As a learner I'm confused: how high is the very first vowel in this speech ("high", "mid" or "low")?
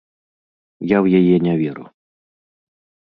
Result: low